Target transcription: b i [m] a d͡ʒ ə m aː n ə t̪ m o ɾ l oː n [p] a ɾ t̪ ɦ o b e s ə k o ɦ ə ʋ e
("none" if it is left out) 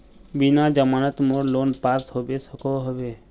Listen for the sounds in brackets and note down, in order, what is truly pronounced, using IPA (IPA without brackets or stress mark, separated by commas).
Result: n, p